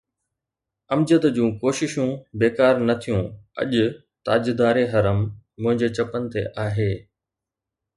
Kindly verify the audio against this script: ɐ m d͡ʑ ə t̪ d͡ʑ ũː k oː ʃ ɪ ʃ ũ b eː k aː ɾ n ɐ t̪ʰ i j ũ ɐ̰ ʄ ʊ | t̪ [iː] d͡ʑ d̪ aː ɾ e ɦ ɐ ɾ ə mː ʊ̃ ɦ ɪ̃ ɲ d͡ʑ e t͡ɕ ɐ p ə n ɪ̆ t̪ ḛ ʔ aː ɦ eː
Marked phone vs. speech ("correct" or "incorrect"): incorrect